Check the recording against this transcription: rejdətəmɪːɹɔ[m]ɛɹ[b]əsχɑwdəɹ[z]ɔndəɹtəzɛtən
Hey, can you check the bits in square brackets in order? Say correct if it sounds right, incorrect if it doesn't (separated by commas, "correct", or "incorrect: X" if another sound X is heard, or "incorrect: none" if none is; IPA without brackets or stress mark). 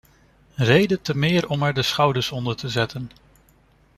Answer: correct, incorrect: d, incorrect: s